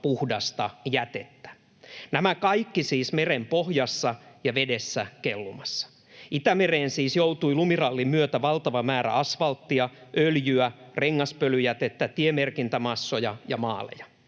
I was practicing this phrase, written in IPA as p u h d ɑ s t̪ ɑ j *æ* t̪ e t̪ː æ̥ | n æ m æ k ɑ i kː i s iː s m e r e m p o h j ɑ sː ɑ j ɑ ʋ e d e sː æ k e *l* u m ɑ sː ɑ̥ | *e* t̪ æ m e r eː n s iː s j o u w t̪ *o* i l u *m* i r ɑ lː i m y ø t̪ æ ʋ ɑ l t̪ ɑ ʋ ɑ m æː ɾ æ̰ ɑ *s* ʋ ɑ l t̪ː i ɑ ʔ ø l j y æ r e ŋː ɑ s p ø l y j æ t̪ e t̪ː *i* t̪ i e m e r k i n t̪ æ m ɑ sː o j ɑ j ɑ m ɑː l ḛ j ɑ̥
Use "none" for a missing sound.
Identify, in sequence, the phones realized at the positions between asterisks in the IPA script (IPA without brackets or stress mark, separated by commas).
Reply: æ, lː, i, u, m, s, æ